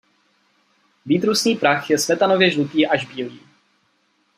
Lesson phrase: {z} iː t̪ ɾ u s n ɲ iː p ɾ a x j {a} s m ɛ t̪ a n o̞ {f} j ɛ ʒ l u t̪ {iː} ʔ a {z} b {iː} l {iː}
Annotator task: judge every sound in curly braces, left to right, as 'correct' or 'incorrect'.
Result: incorrect: v, incorrect: ɛ, incorrect: v, correct, incorrect: ʒ, correct, correct

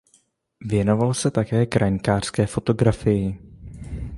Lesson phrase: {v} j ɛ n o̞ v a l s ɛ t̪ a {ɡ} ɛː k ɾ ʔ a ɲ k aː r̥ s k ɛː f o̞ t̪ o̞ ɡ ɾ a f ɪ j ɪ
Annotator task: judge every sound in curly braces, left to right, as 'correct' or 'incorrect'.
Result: correct, incorrect: k

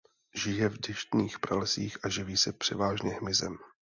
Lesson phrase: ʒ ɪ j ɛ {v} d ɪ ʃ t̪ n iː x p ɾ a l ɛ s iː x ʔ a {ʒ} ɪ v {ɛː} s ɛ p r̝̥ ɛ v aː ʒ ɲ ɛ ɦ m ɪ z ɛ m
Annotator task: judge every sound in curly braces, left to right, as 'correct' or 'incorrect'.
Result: correct, correct, incorrect: iː

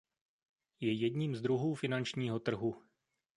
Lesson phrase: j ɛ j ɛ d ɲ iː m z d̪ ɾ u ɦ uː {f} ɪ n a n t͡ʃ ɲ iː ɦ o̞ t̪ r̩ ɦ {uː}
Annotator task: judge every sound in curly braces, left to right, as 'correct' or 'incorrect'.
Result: correct, incorrect: u

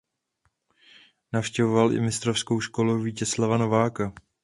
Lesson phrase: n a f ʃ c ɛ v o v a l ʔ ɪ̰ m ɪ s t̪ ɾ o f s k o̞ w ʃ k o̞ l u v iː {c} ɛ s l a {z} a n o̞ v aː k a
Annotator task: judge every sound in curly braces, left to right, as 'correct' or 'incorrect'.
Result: correct, incorrect: v

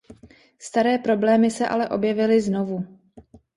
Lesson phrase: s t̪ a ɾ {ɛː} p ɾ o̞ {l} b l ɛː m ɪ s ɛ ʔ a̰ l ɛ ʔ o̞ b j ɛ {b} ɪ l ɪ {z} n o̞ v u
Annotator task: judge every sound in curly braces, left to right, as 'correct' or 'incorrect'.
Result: correct, incorrect: none, incorrect: v, correct

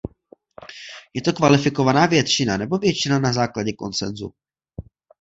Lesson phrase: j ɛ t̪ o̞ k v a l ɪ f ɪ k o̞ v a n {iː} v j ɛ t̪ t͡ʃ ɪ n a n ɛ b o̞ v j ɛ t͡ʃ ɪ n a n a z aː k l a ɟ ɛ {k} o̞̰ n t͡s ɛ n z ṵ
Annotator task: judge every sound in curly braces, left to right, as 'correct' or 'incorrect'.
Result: incorrect: aː, correct

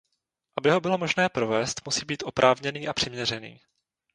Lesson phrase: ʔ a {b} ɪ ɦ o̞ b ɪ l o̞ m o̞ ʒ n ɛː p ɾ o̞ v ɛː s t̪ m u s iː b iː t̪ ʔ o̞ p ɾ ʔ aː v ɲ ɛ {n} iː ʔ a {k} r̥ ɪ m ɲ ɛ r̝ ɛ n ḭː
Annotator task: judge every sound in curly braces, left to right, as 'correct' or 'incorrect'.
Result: correct, correct, incorrect: p

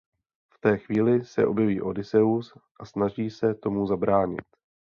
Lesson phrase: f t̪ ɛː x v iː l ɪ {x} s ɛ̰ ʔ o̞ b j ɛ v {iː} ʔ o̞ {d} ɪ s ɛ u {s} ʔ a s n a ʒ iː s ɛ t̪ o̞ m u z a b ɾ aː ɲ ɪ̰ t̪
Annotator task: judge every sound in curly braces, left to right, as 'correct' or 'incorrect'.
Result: incorrect: none, correct, correct, correct

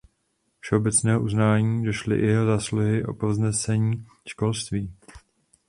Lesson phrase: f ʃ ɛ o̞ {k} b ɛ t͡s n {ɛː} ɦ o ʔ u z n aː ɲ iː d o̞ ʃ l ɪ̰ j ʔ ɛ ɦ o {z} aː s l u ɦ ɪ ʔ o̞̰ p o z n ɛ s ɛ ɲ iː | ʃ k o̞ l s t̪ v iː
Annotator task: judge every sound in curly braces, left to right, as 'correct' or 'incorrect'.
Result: incorrect: none, correct, correct

